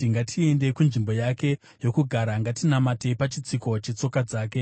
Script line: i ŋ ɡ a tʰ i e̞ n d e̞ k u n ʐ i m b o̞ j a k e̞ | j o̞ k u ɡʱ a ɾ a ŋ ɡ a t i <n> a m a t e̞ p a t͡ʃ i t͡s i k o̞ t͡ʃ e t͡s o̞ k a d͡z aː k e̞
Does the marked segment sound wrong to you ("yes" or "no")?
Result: no